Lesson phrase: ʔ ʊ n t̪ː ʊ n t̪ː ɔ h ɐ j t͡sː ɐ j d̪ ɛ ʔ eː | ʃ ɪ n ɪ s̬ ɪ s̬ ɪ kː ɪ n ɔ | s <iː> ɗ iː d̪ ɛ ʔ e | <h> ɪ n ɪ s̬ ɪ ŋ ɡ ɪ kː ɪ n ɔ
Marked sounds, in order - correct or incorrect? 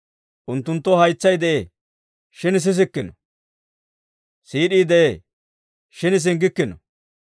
correct, incorrect: ʃ

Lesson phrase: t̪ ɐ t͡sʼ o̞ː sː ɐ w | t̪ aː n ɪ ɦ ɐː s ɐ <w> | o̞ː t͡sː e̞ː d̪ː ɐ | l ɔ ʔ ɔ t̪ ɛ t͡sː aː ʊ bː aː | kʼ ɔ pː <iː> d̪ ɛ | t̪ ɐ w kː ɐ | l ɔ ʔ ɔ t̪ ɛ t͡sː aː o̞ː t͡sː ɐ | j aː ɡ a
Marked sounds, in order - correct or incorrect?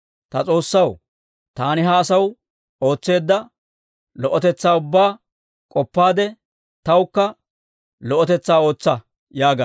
correct, incorrect: aː

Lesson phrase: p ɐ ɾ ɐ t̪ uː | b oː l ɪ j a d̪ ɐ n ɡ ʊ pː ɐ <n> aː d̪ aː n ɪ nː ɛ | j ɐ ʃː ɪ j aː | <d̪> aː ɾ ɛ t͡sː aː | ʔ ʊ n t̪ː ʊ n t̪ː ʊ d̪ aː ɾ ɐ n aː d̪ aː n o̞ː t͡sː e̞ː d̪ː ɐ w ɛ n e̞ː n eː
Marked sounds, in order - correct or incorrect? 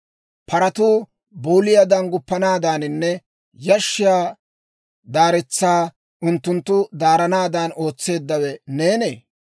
correct, correct

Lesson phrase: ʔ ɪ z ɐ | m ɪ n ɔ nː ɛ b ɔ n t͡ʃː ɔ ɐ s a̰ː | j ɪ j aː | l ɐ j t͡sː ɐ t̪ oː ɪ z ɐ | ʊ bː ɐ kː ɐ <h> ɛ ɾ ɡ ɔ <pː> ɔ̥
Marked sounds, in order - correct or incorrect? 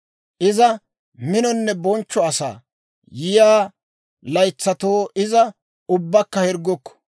correct, incorrect: kː

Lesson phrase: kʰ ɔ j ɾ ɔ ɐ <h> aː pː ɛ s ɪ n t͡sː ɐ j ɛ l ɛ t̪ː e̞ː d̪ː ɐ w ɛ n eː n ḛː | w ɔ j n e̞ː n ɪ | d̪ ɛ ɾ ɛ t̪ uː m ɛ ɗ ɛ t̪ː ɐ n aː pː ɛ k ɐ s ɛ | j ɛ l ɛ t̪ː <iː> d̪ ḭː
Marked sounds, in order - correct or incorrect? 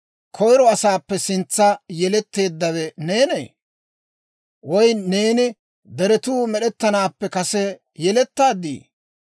incorrect: s, incorrect: aː

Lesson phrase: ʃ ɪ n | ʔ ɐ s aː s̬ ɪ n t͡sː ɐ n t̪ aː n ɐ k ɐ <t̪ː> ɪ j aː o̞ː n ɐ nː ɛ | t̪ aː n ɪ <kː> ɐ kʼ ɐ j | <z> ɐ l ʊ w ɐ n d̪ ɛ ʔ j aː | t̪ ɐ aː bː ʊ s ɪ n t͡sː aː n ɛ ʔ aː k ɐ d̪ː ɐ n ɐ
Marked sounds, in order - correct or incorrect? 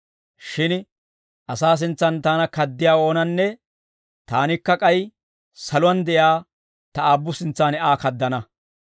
incorrect: d̪ː, correct, incorrect: s

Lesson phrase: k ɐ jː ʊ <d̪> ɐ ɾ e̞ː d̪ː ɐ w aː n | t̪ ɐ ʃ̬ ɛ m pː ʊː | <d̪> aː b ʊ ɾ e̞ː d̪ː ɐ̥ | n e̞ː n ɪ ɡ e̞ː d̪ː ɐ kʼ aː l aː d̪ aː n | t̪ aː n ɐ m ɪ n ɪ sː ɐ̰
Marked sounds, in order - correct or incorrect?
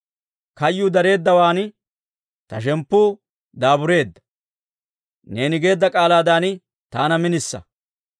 correct, correct

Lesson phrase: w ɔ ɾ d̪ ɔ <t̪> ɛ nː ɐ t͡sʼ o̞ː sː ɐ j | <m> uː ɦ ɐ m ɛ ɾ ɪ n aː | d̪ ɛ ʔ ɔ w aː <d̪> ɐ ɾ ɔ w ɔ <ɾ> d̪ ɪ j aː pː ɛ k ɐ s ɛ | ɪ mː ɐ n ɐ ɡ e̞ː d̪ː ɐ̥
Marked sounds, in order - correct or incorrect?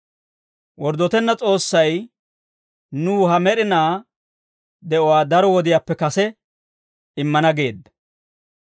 correct, incorrect: n, correct, incorrect: none

